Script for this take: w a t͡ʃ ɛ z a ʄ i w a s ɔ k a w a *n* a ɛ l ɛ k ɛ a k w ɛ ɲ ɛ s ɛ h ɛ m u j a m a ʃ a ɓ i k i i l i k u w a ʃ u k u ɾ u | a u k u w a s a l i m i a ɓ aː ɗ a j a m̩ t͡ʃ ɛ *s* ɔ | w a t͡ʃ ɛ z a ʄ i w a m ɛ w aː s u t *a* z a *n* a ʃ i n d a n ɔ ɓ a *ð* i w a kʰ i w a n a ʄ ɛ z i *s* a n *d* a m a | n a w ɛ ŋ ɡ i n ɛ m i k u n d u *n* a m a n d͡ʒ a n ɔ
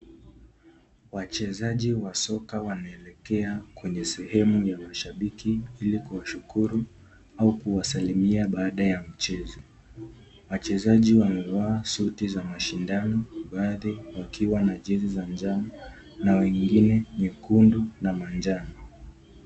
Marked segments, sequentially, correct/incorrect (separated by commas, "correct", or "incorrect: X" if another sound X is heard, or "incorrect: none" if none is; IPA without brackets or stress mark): correct, incorrect: z, incorrect: i, incorrect: m, correct, incorrect: z, incorrect: d͡ʒ, correct